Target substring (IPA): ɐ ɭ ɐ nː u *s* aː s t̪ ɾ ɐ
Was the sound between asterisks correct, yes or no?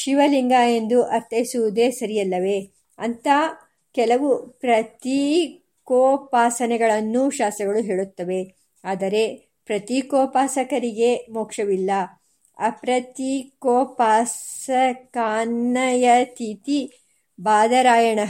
no